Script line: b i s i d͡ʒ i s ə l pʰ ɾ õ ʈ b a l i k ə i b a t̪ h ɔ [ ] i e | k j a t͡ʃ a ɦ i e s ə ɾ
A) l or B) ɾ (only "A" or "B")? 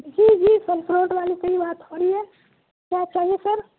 B